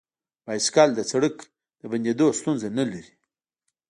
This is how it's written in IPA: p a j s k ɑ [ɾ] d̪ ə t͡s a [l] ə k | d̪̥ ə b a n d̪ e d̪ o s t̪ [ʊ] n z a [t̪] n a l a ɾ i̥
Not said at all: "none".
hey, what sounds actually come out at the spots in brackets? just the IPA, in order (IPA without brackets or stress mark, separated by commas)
l, ɽ, u, none